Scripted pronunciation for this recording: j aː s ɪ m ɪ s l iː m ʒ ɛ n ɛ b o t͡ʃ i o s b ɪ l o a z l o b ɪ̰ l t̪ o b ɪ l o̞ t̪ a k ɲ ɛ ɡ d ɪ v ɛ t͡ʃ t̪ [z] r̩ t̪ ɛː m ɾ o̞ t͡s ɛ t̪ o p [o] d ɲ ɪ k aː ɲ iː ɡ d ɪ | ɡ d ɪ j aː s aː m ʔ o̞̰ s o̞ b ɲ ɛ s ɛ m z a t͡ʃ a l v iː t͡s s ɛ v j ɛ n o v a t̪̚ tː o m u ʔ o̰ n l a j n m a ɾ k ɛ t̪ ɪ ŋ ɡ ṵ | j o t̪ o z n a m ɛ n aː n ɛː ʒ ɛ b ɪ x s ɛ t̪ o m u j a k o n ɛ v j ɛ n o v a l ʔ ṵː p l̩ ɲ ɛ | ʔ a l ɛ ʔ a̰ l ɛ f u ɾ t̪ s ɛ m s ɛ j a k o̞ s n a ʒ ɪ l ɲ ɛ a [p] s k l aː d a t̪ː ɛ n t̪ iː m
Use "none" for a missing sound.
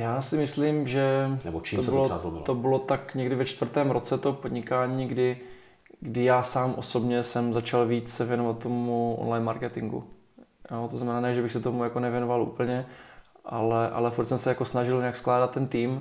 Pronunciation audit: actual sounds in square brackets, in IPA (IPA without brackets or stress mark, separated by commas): v, o, k